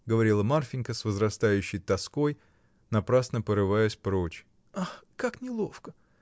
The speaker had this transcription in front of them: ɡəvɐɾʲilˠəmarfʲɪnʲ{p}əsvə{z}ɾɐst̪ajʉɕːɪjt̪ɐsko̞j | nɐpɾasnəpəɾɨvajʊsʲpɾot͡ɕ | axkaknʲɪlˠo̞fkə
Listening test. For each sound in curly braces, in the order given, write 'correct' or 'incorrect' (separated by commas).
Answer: incorrect, correct